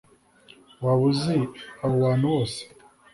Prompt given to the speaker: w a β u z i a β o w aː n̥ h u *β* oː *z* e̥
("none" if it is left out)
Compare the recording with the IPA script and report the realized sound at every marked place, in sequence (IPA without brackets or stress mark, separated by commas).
w, s